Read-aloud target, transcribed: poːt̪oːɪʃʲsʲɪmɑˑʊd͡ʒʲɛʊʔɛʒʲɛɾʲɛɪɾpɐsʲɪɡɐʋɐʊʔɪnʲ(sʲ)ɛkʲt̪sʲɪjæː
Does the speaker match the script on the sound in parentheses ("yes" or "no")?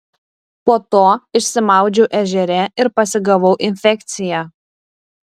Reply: no